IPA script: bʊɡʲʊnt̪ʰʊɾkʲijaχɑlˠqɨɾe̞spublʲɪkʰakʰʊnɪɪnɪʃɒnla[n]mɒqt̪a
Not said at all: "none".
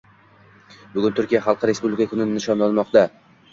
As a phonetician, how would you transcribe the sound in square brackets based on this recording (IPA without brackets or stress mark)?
n